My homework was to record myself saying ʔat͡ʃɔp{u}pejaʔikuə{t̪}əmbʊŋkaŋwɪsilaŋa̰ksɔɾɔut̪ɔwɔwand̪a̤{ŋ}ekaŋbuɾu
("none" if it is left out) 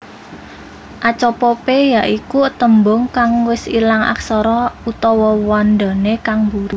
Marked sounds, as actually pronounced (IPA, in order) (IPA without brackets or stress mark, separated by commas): ɔ, t̪, n